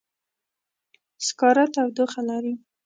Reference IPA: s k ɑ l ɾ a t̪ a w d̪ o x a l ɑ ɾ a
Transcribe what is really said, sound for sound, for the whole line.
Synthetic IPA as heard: s k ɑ ɾ a t̪ a w d̪ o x a l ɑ ɾ i